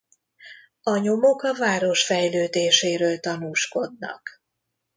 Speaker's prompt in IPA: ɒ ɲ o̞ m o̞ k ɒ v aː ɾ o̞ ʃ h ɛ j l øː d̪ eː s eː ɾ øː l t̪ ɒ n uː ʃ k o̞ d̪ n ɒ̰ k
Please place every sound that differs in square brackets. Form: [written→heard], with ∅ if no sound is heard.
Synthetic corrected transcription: ɒ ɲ o̞ m o̞ k ɒ v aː ɾ o̞ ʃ [h→f] ɛ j l øː d̪ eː [s→ʃ] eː ɾ øː l t̪ ɒ n uː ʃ k o̞ d̪ n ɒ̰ k